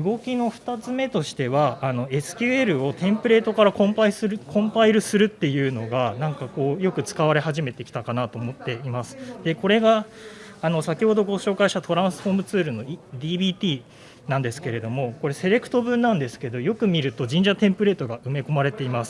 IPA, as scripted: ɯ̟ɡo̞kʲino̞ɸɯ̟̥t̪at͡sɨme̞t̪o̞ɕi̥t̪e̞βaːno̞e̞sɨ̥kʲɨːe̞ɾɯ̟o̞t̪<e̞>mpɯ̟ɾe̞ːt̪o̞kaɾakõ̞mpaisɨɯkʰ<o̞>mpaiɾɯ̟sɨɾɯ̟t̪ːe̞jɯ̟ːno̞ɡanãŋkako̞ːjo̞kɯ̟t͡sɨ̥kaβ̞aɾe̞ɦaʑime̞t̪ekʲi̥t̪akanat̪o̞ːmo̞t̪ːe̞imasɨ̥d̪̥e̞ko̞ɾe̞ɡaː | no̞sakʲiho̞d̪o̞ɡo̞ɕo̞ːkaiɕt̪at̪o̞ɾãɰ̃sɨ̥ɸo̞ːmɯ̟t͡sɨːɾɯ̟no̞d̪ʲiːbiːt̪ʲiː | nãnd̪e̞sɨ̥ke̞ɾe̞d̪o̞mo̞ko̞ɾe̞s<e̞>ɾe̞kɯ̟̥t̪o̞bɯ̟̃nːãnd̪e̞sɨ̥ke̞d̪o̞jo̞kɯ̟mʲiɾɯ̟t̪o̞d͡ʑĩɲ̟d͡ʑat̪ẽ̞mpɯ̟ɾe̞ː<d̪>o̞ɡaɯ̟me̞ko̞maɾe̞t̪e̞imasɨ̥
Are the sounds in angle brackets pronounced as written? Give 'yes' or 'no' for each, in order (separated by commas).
no, no, yes, no